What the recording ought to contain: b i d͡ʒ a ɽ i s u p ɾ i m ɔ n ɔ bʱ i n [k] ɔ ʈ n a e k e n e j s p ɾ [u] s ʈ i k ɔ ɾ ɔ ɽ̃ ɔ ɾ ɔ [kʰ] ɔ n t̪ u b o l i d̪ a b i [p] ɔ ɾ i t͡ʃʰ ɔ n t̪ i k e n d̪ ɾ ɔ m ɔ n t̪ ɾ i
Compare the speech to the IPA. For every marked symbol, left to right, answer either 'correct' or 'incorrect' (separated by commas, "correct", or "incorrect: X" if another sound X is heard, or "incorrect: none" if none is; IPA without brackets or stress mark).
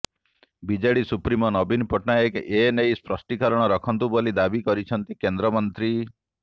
incorrect: p, incorrect: ɔ, correct, incorrect: k